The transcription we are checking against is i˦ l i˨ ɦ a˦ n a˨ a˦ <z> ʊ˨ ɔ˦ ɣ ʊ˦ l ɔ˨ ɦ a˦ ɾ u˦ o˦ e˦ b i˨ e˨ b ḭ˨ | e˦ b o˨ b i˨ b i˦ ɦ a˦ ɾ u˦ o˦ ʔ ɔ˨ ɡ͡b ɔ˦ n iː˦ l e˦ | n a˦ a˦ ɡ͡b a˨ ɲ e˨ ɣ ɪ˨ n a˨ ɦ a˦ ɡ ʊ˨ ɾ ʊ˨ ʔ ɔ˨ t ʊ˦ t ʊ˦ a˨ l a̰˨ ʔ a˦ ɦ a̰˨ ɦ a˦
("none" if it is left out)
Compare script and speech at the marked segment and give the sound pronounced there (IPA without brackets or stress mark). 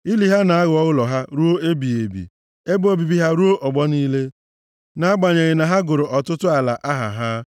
ɣ